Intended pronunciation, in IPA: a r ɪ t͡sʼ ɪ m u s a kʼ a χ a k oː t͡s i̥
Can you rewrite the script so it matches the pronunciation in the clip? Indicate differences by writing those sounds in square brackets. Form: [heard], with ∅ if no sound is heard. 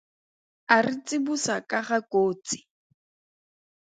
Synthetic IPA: a r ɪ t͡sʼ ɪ [b] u s a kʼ a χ a k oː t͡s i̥